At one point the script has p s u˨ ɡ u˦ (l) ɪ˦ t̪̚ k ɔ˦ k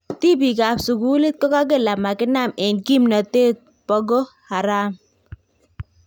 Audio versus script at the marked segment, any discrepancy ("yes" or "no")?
no